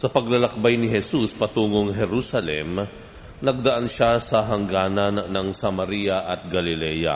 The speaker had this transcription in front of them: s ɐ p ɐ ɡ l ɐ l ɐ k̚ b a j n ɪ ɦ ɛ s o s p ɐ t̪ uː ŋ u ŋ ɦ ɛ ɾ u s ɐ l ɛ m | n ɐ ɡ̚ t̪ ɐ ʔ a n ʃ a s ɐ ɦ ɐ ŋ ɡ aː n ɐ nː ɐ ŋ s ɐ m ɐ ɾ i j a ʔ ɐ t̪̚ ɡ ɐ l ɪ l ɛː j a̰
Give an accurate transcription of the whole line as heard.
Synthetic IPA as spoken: s ɐ p ɐ ɡ l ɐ l ɐ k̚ b a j n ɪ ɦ ɛ s u s p ɐ t̪ uː ŋ o ŋ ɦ ɛ ɾ u s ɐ l ɛ m | n ɐ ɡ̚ d̪ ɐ ʔ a n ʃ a s ɐ ɦ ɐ ŋ ɡ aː n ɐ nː ɐ ŋ s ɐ m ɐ ɾ i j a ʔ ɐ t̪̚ ɡ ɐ l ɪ l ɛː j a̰